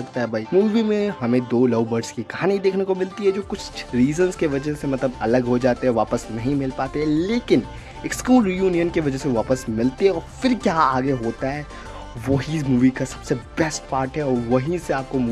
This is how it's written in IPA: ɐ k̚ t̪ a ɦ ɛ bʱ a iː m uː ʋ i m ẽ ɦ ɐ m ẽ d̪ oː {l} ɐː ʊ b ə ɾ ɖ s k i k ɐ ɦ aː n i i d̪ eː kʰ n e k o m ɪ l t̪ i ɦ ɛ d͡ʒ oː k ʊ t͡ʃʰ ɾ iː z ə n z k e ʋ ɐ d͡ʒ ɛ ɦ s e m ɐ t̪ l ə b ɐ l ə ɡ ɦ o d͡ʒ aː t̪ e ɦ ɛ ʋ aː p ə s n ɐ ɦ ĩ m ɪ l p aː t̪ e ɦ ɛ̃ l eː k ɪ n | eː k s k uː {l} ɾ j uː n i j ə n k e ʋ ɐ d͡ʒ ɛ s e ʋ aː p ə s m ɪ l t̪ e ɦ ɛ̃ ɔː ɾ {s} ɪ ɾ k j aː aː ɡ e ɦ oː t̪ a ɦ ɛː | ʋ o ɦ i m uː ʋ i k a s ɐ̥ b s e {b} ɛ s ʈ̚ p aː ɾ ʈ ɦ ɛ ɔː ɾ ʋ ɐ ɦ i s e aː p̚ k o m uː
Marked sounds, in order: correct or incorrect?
correct, correct, incorrect: f, correct

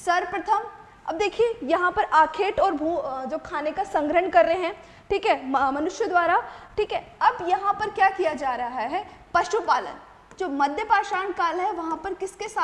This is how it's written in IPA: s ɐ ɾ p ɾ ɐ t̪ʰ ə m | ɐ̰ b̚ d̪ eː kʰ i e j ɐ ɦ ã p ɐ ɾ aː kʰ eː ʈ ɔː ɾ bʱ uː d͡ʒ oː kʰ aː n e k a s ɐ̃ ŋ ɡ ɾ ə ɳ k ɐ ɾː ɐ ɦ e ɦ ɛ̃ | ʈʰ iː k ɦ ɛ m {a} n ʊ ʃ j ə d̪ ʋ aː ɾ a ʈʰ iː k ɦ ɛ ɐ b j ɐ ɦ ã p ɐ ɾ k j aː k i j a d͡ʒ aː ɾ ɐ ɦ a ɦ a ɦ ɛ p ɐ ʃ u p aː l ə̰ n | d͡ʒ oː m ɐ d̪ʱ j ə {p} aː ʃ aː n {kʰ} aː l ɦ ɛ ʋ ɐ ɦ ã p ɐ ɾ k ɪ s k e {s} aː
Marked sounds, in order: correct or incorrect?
incorrect: ɐ, correct, incorrect: k, correct

